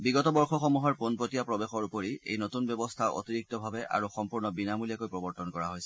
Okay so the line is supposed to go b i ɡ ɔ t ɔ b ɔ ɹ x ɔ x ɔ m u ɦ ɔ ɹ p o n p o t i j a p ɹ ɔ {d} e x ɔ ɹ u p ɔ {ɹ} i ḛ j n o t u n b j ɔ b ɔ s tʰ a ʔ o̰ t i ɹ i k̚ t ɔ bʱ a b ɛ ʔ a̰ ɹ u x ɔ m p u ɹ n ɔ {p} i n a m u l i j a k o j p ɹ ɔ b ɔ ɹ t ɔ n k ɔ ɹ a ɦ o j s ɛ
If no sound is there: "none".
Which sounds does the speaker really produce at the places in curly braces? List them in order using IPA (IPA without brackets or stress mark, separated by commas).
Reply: b, ɹ, b